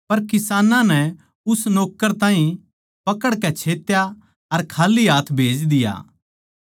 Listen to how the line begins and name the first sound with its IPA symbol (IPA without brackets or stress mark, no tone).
p